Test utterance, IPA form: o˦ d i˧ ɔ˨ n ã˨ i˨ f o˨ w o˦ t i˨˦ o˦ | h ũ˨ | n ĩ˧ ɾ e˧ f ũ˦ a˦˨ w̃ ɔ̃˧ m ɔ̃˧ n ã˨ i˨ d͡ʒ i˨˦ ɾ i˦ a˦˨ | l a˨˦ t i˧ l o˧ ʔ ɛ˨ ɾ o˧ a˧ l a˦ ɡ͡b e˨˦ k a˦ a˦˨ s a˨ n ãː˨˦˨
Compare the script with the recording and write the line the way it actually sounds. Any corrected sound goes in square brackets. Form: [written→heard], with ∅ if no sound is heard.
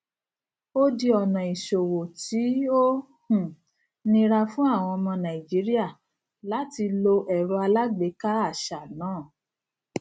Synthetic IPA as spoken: o˦ d i˧ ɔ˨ n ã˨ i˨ [f→ʃ] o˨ w [o˦→o˨] t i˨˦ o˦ | h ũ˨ | n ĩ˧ ɾ [e˧→a˧] f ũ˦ a˦˨ w̃ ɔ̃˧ m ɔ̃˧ n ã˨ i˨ d͡ʒ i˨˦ ɾ i˦ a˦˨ | l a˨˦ t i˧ l o˧ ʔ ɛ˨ ɾ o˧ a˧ l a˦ ɡ͡b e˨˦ k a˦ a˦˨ [s→ʃ] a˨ n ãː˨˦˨